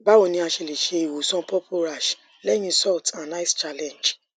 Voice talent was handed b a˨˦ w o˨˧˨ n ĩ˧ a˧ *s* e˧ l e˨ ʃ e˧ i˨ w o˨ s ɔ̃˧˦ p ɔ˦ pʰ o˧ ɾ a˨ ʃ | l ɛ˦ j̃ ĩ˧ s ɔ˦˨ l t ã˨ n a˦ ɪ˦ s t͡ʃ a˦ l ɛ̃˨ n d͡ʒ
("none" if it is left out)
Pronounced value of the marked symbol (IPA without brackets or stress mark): ʃ